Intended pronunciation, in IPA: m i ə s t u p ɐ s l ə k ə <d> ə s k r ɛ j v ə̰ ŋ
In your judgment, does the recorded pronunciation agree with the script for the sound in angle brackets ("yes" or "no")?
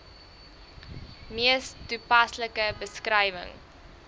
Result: no